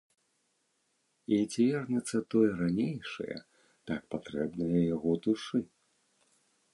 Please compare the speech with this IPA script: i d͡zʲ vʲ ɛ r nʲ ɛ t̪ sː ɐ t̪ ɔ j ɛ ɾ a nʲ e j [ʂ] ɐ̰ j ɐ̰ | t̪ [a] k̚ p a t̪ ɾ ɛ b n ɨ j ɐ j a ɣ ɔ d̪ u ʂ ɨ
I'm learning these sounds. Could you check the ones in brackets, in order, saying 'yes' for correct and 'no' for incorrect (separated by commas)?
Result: yes, yes